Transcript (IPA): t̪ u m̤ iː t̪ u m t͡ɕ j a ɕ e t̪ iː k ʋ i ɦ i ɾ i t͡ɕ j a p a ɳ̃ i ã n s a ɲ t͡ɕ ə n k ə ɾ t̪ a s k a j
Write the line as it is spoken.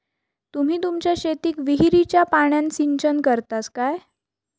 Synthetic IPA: t̪ u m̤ iː t̪ u m t͡ɕ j a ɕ e t̪ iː k ʋ i ɦ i ɾ i t͡ɕ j a p a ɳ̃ j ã n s i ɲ t͡ɕ ə n k ə ɾ t̪ a s k a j